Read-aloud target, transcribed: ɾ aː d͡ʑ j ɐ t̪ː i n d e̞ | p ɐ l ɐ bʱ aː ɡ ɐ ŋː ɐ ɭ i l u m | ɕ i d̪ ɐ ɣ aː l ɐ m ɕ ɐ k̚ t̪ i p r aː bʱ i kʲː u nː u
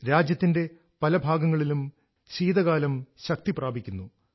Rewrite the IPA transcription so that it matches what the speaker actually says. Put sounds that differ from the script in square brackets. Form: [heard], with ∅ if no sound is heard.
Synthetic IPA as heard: ɾ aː d͡ʑ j ɐ t̪ː i n d e̞ | p ɐ l ɐ bʱ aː ɡ ɐ ŋː ɐ ɭ i l u m | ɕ [iː] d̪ ɐ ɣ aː l ɐ m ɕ ɐ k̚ t̪ i p r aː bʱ i kʲː u nː u